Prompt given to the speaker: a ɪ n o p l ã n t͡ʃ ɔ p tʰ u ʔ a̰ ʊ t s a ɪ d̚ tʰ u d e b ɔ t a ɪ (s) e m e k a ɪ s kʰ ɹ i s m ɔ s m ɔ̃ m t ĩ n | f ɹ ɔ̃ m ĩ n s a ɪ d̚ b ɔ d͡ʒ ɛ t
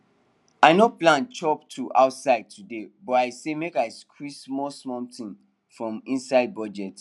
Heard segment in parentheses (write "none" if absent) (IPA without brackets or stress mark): s